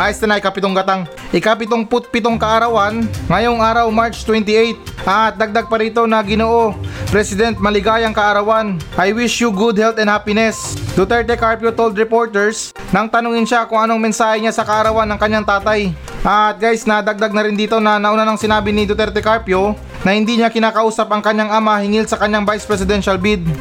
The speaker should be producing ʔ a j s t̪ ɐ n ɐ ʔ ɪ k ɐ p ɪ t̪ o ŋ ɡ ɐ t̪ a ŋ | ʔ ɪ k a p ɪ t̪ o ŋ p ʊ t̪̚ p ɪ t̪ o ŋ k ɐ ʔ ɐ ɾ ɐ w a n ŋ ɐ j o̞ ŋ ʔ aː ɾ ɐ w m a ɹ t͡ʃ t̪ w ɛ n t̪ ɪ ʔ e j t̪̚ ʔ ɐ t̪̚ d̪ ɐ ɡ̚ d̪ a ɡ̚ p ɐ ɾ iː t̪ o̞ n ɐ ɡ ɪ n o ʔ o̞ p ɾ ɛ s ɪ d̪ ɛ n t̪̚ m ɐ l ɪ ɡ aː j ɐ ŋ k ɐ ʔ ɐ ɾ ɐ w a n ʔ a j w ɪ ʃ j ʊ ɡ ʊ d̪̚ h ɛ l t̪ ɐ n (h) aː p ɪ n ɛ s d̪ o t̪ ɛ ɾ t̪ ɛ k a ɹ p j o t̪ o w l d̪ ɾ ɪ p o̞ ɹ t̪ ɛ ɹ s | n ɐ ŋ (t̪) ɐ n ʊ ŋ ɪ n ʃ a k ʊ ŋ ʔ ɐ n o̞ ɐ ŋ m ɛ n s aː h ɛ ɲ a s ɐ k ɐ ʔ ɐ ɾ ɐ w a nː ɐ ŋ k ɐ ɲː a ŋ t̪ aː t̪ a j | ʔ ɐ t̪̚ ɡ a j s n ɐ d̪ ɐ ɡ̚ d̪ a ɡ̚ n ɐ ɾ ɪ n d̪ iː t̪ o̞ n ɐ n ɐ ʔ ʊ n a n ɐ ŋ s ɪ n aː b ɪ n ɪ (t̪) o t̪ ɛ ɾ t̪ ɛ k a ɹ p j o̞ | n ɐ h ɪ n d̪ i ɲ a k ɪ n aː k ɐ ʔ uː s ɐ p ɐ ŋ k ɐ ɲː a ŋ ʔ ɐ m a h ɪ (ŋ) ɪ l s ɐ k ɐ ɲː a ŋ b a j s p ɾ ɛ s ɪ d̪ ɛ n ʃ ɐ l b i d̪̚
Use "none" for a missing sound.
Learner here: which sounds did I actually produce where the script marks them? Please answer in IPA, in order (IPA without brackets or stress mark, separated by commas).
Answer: h, t̪, d̪, ŋ